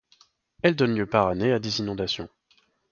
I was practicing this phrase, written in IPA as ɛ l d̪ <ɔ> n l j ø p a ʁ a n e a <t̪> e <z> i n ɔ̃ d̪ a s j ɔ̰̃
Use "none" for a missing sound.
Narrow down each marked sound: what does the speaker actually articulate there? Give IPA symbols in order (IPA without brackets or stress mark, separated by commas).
ɔ, d̪, z